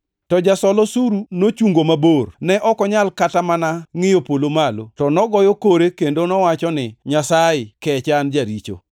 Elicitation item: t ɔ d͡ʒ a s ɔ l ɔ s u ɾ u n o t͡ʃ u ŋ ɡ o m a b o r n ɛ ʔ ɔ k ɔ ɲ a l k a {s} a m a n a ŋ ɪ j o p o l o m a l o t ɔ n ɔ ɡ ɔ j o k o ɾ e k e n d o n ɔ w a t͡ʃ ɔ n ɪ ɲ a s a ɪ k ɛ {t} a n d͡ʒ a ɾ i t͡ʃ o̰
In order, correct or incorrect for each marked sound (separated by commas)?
incorrect, incorrect